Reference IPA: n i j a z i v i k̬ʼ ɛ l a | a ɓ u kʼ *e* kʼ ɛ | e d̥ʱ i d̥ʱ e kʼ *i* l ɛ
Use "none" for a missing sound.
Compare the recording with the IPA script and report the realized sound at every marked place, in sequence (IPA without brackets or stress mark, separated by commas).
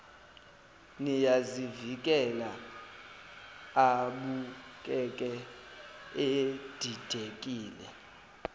ɛ, iː